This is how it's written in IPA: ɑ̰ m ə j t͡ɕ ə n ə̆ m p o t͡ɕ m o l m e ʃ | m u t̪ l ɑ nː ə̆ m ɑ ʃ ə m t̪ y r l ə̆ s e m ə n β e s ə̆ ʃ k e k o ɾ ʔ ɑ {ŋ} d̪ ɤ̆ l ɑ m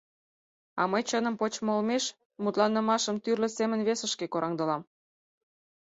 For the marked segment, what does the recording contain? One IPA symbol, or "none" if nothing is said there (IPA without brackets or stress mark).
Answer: ŋ